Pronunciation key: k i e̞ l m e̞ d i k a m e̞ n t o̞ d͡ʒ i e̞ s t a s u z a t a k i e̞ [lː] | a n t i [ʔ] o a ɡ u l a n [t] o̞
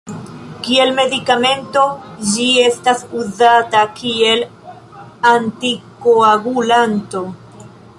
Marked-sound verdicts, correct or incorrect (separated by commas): incorrect, incorrect, correct